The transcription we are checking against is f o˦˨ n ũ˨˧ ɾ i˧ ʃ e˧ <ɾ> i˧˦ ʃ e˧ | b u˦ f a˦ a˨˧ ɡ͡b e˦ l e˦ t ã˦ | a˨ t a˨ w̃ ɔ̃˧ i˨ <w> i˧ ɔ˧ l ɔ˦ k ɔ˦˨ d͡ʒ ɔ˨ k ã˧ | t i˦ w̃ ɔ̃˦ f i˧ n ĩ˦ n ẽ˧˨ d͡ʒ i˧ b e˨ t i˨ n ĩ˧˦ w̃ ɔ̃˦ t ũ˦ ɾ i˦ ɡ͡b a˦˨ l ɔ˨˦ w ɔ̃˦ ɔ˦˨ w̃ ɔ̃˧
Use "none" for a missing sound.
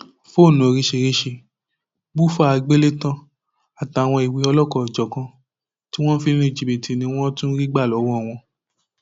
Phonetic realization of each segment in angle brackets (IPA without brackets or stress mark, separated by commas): ɾ, w